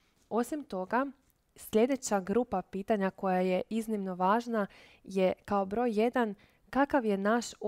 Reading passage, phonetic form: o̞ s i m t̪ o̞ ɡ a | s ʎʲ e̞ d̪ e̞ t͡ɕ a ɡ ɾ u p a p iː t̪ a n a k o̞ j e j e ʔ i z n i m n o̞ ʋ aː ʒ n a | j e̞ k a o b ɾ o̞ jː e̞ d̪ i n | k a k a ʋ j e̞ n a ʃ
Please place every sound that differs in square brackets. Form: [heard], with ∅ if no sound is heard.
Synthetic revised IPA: o̞ s i m t̪ o̞ ɡ a | s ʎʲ e̞ d̪ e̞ t͡ɕ a ɡ ɾ u p a p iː t̪ a [ɲ] a k o̞ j [a] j e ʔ i z n i m n o̞ ʋ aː ʒ n a | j e̞ k a o b ɾ o̞ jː e̞ d̪ [a] n | k a k a ʋ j e̞ n a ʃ